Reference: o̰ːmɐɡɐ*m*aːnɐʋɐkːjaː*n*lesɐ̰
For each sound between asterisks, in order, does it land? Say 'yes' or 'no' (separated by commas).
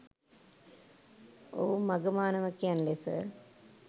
yes, yes